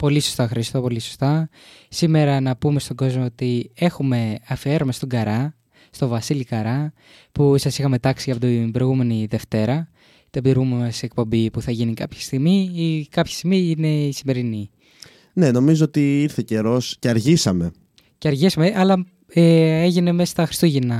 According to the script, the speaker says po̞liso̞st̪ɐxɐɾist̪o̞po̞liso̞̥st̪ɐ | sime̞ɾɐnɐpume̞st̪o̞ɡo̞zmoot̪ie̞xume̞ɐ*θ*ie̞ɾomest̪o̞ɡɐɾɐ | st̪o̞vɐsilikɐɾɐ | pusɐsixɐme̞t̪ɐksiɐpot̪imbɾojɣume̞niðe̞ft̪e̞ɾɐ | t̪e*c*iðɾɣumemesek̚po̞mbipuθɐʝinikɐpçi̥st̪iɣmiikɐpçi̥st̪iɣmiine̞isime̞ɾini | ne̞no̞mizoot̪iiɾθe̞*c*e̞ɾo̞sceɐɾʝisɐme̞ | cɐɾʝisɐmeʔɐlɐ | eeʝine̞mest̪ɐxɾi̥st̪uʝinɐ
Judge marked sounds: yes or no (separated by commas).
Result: no, no, yes